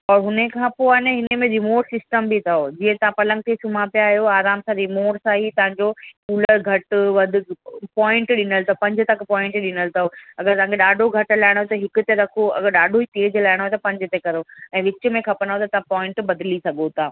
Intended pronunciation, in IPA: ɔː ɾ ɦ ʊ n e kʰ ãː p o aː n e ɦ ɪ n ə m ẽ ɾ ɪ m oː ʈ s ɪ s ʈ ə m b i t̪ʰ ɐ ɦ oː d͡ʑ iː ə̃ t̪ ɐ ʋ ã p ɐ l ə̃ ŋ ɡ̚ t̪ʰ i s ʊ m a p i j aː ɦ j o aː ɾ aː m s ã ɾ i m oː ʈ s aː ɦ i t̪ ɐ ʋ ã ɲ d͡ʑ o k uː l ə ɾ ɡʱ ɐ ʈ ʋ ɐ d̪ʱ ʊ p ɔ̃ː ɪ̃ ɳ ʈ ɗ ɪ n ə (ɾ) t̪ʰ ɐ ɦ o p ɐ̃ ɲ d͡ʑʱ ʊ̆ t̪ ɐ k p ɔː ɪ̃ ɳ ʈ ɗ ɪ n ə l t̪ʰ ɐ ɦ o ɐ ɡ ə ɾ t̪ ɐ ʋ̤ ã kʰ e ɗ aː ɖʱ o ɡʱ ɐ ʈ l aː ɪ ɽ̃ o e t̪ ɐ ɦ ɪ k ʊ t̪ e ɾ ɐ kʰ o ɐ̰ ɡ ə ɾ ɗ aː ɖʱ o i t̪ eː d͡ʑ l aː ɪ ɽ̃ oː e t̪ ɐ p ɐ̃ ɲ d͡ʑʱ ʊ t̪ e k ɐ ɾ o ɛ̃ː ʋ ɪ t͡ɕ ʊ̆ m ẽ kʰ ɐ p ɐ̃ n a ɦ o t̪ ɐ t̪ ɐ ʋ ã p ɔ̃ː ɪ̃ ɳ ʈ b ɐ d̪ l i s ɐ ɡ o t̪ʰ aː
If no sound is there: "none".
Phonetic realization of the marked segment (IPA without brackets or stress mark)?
l